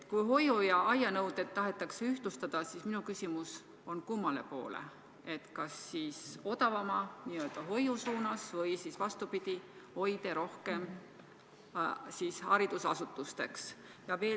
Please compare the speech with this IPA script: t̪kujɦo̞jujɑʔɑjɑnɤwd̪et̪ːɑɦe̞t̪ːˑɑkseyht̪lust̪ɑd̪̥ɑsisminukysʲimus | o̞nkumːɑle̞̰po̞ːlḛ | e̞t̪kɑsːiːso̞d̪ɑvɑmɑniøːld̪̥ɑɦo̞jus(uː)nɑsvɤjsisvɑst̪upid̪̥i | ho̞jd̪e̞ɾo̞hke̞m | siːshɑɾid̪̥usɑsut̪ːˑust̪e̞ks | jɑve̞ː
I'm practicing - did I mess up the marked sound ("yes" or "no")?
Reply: no